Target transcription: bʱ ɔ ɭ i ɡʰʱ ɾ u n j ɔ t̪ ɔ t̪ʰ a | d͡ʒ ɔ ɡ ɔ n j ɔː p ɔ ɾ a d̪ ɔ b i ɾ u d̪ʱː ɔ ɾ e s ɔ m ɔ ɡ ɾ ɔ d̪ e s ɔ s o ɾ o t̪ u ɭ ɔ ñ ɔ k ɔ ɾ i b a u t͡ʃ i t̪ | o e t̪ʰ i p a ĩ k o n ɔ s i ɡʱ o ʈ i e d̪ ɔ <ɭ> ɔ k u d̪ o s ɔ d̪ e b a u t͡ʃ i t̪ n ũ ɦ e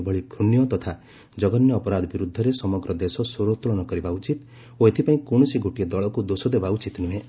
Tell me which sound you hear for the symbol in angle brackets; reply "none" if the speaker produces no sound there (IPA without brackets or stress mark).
ɭ